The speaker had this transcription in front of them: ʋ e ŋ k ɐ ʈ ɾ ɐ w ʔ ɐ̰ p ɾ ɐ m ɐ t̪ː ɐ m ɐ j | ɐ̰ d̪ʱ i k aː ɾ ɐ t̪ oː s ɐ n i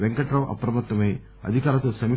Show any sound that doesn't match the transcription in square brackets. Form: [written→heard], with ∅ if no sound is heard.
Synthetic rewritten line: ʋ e ŋ k ɐ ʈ ɾ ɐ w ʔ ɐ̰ p ɾ ɐ m ɐ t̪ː ɐ m ɐ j | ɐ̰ d̪ʱ i k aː ɾ ɐ t̪ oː s ɐ [n→m] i